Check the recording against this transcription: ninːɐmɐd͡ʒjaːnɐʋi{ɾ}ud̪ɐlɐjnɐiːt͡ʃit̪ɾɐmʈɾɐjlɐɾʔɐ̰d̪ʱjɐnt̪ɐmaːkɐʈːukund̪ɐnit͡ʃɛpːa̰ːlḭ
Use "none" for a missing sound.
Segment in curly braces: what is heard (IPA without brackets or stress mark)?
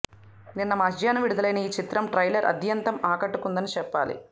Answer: ɽ